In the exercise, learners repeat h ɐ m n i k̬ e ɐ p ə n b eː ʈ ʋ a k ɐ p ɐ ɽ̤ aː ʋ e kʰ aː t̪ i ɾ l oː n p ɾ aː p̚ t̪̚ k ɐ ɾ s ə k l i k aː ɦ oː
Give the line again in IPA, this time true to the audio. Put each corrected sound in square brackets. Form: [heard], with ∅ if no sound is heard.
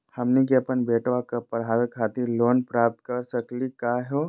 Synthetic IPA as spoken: h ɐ m n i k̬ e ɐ p ə n b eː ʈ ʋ a k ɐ p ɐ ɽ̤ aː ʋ e kʰ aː t̪ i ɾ l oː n p ɾ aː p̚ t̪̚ k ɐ ɾ s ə k l i k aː ɦ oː